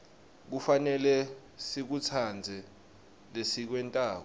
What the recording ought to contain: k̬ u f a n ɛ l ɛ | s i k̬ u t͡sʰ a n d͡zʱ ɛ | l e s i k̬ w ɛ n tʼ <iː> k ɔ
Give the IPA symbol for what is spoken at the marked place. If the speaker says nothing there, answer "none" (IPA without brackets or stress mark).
aː